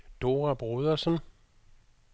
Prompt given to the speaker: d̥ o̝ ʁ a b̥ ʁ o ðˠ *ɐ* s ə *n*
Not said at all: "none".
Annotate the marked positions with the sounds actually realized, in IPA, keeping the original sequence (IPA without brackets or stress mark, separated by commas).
ɐ, n